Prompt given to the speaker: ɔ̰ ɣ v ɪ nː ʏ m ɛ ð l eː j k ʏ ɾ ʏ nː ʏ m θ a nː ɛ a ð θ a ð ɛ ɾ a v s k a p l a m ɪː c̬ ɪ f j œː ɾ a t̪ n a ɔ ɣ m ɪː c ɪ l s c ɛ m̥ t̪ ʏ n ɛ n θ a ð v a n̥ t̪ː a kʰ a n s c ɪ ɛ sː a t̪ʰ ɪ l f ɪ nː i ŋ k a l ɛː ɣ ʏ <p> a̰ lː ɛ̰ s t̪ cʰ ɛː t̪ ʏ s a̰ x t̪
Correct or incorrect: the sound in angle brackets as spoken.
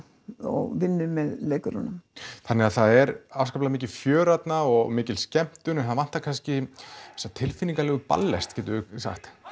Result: correct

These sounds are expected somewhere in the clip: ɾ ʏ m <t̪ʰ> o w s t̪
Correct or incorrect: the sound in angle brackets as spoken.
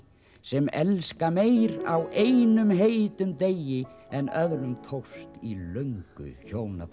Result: correct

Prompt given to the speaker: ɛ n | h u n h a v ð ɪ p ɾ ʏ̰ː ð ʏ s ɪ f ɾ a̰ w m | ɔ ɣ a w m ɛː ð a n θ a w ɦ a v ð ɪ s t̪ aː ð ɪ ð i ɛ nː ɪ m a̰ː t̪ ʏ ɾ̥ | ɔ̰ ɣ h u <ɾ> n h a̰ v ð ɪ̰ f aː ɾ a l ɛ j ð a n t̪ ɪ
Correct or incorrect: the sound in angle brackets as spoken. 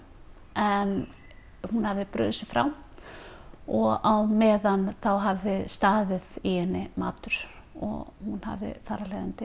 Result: incorrect: none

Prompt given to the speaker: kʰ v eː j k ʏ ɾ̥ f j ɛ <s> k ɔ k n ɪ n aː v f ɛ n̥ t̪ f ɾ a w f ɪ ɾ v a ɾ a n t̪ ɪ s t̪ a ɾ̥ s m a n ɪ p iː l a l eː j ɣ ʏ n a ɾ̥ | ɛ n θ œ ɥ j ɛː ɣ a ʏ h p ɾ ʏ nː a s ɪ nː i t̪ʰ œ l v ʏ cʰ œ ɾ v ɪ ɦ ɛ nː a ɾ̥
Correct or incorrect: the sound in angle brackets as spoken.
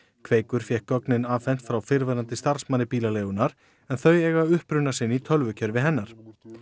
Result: incorrect: h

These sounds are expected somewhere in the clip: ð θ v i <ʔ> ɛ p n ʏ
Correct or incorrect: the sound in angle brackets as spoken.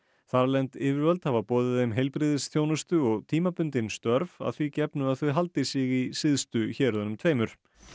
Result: incorrect: c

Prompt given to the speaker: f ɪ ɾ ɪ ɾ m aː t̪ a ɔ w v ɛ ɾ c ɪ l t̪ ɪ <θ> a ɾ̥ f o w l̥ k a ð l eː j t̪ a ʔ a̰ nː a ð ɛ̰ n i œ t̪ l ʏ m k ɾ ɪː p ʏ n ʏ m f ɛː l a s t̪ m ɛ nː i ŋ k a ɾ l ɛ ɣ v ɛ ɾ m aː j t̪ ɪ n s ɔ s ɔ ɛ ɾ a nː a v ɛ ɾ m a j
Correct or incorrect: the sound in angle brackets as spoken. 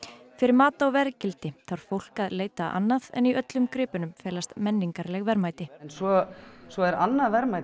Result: correct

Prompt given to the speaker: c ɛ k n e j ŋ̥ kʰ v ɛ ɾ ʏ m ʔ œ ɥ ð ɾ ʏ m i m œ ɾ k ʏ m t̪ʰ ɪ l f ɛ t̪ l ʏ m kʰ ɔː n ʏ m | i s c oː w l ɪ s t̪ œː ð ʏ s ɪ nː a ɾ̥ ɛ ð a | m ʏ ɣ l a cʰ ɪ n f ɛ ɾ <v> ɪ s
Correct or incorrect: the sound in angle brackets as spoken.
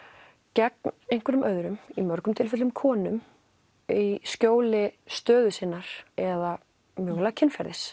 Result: incorrect: ð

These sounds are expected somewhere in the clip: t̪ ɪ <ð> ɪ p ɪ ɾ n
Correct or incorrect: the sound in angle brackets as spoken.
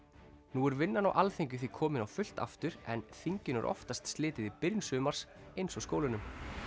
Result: correct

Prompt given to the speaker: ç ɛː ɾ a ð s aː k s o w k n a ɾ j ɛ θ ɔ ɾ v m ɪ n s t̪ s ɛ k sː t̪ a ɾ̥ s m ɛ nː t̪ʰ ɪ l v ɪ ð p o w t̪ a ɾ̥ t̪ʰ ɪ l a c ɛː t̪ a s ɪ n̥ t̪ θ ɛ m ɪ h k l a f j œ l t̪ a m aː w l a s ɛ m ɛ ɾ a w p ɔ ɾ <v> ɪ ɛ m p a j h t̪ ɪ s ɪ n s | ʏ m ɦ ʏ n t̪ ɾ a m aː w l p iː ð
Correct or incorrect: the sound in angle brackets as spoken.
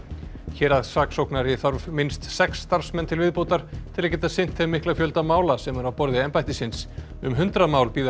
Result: incorrect: ð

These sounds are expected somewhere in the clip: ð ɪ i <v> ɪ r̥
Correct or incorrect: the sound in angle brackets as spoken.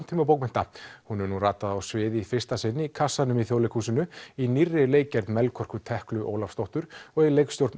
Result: incorrect: f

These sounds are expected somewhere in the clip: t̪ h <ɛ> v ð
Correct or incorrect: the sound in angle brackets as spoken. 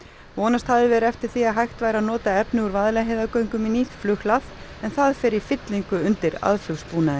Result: incorrect: a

